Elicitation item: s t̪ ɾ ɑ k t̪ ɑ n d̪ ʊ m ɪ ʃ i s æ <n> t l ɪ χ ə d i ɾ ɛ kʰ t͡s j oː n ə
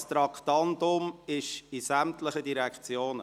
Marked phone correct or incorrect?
incorrect